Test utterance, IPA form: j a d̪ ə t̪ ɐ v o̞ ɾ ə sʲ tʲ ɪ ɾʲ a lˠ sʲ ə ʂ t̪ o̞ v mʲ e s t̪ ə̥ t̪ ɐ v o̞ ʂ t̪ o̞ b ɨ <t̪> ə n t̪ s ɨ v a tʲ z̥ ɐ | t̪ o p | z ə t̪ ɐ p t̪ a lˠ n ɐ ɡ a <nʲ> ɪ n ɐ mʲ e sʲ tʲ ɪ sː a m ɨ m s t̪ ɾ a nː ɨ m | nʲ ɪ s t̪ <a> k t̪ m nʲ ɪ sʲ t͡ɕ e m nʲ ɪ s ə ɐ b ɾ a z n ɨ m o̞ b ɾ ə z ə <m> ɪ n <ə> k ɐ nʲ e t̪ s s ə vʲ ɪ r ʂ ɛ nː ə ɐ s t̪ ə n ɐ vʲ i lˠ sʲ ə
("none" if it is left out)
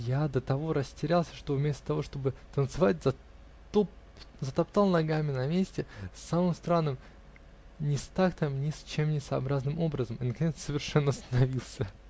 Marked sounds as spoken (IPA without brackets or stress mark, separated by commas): t̪, mʲ, a, m, ə